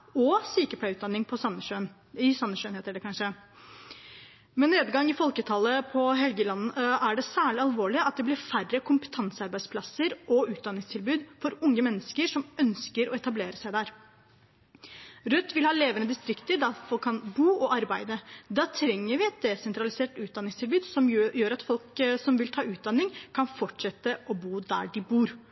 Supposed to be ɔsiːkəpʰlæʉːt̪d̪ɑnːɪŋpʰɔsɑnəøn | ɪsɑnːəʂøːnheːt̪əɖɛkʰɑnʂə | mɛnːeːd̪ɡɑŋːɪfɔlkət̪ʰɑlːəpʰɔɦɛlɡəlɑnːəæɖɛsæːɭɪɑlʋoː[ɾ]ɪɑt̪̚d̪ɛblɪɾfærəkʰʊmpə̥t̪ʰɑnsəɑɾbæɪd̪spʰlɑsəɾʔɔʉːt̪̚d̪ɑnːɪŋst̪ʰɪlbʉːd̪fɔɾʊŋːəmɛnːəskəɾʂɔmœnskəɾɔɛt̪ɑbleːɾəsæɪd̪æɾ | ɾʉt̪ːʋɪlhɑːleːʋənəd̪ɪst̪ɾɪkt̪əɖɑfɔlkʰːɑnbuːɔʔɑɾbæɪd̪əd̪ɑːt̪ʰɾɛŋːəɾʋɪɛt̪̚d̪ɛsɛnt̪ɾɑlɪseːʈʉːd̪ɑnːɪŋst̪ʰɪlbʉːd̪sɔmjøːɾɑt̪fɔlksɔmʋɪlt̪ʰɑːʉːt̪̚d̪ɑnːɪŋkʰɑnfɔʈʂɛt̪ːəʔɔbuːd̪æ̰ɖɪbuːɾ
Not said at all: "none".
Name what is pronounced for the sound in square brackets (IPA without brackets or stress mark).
ɭ